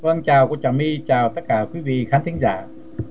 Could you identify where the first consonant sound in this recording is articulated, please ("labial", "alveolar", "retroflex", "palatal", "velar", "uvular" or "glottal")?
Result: labial